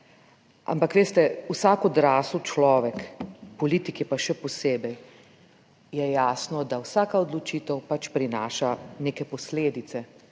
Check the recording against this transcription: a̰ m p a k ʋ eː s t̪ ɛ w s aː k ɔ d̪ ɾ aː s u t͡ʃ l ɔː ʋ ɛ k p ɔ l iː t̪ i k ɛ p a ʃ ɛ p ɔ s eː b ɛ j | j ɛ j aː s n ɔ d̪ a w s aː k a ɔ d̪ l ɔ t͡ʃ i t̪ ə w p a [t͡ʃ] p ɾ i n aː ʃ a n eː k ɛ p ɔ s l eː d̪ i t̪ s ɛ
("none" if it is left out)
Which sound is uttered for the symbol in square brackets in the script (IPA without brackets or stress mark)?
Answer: t͡ʃ